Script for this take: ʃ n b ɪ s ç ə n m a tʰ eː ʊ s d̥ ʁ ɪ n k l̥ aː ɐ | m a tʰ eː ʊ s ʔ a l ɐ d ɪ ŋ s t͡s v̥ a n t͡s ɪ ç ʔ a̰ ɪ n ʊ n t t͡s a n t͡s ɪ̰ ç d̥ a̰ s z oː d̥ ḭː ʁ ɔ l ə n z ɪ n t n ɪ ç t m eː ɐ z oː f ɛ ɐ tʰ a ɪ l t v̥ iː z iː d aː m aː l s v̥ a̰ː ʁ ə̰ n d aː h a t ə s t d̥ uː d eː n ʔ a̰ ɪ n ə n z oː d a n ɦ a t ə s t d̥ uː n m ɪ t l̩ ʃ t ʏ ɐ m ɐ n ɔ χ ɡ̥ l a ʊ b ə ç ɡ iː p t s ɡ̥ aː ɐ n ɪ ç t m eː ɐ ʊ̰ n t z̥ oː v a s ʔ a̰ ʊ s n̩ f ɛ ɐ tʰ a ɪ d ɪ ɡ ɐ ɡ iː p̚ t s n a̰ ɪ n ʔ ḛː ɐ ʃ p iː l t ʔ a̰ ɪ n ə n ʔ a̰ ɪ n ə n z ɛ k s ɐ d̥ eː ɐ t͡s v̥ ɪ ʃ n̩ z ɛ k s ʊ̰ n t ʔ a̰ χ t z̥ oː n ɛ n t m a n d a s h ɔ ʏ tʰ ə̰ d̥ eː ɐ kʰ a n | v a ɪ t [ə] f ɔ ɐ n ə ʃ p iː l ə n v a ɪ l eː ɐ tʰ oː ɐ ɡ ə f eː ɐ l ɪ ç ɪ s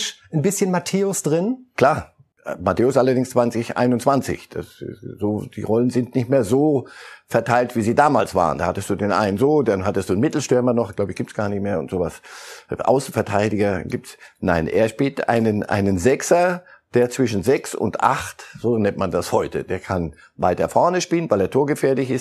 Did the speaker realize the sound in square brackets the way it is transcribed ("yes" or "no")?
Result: no